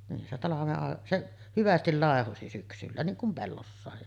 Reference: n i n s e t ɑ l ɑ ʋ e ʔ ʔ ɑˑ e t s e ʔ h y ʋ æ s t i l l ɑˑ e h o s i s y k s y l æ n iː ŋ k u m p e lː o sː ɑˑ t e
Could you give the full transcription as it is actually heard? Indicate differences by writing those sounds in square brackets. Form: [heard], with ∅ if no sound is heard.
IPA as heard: n i n s e t ɑ l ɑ ʋ e ʔ ʔ ɑˑ e [ʔ] s e ʔ h y ʋ æ s t i l l ɑˑ e h o s i s y k s y [lː] æ n iː ŋ k u m p e lː o sː ɑˑ [∅] e

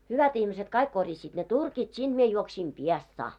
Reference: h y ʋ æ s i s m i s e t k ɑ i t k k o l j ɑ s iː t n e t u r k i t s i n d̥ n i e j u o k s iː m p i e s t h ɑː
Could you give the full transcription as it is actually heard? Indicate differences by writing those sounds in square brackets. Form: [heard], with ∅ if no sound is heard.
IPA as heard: h y ʋ æ [t] i [h] m i s e t k ɑ i [∅] k k o [r] j ɑ s iː t n e t u r k i t s i n d̥ [m] i e j u o k s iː m p i e s t [s] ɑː

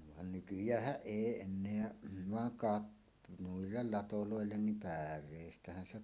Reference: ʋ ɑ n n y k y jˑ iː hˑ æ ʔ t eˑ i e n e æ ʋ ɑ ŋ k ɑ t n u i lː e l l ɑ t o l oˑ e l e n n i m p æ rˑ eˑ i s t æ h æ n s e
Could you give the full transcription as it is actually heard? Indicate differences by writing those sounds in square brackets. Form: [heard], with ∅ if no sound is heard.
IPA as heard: ʋ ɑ n n y k y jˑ [æː] hˑ æ ʔ [ʔ] eˑ i e [nː] e æ ʋ ɑ ŋ k ɑ t n u i lː e l l ɑ t o l oˑ e [lː] e n n i m p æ rˑ eˑ i s t æ h æ n s e

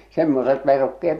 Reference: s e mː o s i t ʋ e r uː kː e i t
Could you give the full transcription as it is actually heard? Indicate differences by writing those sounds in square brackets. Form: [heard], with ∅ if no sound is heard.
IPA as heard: s e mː o s [e] t ʋ e r [u] kː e [e] t

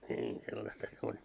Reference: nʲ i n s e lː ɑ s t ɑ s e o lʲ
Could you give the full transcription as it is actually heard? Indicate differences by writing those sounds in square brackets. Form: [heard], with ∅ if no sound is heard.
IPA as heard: nʲ [iː] n s e lː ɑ s t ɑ s e o lʲ

